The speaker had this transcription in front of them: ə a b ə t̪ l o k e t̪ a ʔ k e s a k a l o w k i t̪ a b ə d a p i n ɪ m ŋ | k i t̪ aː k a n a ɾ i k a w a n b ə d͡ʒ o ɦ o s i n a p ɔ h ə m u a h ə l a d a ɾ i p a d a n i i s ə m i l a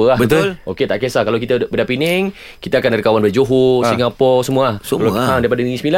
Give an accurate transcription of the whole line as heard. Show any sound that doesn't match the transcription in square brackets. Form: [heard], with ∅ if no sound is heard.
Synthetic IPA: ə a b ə t̪ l o k e t̪ a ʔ k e s a k a l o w k i t̪ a b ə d a p i n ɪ [∅] ŋ | k i t̪ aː k a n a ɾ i k a w a n b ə d͡ʒ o ɦ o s i [ŋ] a p ɔ [s] ə m u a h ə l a d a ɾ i p a d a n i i s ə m i l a